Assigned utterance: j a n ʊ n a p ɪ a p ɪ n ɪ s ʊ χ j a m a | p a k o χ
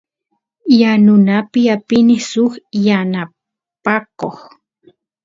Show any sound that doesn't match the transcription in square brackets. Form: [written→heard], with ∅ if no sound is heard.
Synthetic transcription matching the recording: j a n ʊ n a p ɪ a p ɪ n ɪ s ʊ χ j a [m→n] a | p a k o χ